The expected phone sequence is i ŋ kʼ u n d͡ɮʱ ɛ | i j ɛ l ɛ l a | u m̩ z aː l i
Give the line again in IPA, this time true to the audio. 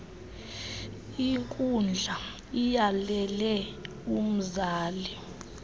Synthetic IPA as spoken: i ŋ kʼ u n d͡ɮʱ a | i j a l ɛ l ɛ | u m̩ z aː l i